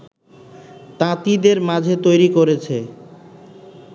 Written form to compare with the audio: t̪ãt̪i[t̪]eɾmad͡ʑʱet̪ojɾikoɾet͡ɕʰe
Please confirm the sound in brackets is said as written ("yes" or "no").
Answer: no